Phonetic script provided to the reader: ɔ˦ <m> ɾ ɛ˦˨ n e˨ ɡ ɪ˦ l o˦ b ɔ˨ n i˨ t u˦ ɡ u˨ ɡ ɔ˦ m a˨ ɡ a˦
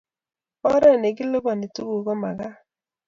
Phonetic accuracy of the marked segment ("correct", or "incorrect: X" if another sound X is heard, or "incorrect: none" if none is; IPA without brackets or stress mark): incorrect: none